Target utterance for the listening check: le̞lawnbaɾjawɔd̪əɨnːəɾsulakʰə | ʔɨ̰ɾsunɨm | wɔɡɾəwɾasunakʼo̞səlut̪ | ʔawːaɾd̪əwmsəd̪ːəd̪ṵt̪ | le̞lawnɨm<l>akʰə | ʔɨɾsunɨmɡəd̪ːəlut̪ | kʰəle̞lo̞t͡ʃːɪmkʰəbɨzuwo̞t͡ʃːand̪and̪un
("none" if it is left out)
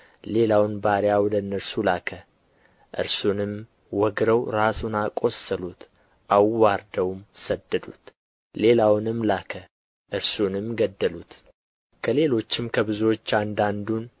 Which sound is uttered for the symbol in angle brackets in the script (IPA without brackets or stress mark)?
l